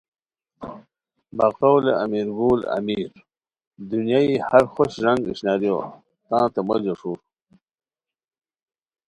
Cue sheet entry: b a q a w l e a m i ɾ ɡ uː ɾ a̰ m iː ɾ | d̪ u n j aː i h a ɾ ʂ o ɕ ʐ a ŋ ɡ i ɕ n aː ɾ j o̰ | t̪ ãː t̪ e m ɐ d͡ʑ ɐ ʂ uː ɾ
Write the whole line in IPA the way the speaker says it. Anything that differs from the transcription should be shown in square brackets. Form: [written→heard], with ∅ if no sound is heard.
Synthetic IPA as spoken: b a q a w l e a m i ɾ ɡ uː [ɾ→l] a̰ m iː ɾ | d̪ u n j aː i h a ɾ [ʂ→x] o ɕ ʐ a ŋ ɡ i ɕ n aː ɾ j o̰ | t̪ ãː t̪ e m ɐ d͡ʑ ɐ ʂ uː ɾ